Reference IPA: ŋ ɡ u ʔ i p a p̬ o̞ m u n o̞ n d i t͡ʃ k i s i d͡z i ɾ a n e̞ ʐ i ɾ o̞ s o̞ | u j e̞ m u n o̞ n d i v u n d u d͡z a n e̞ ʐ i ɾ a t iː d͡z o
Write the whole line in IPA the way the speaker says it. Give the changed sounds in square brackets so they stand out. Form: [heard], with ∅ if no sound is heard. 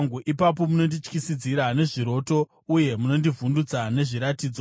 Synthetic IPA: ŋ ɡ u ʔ i p a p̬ o̞ m u n o̞ n d i t͡ʃ k i s i d͡z i ɾ a n e̞ ʐ i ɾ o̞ [t] o̞ | u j e̞ m u n o̞ n d i v u n d u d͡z a n e̞ ʐ i ɾ a t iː d͡z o